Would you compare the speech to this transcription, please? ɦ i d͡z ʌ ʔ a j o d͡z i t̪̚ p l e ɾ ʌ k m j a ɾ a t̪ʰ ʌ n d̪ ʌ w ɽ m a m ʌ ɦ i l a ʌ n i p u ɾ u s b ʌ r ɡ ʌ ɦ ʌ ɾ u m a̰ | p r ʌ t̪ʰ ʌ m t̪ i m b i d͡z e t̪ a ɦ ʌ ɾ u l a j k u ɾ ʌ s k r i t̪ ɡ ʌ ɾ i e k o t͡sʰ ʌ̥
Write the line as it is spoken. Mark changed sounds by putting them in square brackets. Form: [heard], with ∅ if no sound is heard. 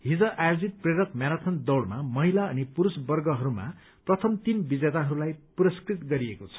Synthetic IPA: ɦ i d͡z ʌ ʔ a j o d͡z i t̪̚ p [r] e ɾ ʌ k m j a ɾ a t̪ʰ ʌ n d̪ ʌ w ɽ m a m ʌ ɦ i l a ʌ n i p u ɾ u s b ʌ r ɡ ʌ ɦ ʌ ɾ u m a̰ | p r ʌ t̪ʰ ʌ m t̪ i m b i d͡z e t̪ a ɦ ʌ ɾ u l a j [p] u ɾ ʌ s k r i t̪ ɡ ʌ ɾ i e k o t͡sʰ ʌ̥

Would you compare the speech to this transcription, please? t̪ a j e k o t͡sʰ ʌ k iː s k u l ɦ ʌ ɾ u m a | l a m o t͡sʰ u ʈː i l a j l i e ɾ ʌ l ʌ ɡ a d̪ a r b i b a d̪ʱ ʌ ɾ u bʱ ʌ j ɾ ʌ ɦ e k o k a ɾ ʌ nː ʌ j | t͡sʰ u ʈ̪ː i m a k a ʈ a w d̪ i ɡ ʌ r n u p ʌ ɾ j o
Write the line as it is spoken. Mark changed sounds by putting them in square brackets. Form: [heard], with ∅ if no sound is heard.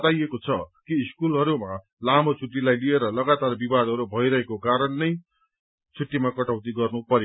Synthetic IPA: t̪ a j e k o t͡sʰ ʌ k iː s k u l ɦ ʌ ɾ u m a | l a m o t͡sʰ u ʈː i l a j l i e ɾ ʌ l ʌ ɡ a [t̪] a r b i b a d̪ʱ ʌ ɾ u bʱ ʌ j ɾ ʌ ɦ e k o k a ɾ ʌ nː ʌ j | t͡sʰ u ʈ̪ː i m a k [ʌ] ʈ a w [t̪] i ɡ ʌ r n u p ʌ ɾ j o

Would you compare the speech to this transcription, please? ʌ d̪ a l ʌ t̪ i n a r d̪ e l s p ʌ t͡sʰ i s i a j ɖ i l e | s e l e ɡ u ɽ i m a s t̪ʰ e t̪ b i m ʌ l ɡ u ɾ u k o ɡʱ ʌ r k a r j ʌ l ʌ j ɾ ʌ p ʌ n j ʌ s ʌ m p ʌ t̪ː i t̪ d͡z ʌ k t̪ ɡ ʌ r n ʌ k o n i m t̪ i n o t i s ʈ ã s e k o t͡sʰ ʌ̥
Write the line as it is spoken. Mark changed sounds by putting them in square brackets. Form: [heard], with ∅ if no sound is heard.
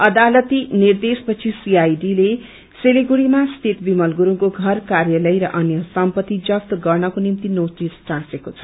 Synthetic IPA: ʌ d̪ a l ʌ t̪ i n [i] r d̪ e [∅] s p ʌ t͡sʰ i s i a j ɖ i l e | s e l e ɡ u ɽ i m a s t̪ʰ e t̪ b i m ʌ l ɡ u ɾ u k o ɡʱ ʌ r k a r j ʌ l ʌ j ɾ ʌ [ʔ] ʌ n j ʌ s ʌ m p ʌ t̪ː i [∅] d͡z ʌ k t̪ ɡ ʌ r n ʌ k o n i m t̪ i n o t i s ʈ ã s e k o t͡sʰ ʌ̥

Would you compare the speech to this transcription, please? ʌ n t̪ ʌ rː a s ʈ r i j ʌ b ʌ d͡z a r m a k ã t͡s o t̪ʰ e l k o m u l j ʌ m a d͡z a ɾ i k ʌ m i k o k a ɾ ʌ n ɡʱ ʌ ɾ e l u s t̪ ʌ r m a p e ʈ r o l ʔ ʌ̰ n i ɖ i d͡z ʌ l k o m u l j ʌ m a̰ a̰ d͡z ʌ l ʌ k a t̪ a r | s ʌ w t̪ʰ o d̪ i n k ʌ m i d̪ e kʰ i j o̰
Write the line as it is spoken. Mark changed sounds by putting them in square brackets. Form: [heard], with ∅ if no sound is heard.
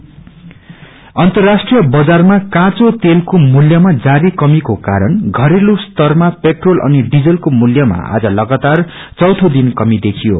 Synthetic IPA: ʌ n t̪ ʌ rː a s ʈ r i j ʌ b ʌ d͡z a r m a k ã t͡s o [t̪] e l k o m u l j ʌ m a d͡z a ɾ i k ʌ m i k o k a ɾ ʌ n ɡʱ ʌ ɾ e l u s t̪ ʌ r m a p e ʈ r o l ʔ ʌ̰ n i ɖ i d͡z ʌ l k o m u l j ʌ m a̰ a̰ d͡z ʌ l ʌ [ɡ] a t̪ a r | [t͡s] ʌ w t̪ʰ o d̪ i n k ʌ m i d̪ e kʰ i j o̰

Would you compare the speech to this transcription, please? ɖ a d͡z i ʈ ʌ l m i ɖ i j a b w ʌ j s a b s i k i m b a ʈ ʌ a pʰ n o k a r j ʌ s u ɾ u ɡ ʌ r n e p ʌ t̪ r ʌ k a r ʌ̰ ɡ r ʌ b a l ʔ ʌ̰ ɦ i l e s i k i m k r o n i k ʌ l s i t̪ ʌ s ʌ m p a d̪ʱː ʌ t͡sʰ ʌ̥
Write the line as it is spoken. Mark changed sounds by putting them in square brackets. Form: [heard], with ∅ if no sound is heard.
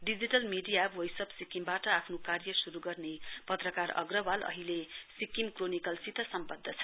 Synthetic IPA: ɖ [i] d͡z i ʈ ʌ l m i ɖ i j a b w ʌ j s [ʌ] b s i k i m b a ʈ ʌ a pʰ n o k a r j ʌ s u ɾ u ɡ ʌ r n e p ʌ t̪ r ʌ k a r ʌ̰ ɡ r ʌ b a l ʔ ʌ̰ ɦ i l e s i k i m k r o n i k ʌ l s i t̪ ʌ s ʌ m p [ʌ] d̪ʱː ʌ t͡sʰ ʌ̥

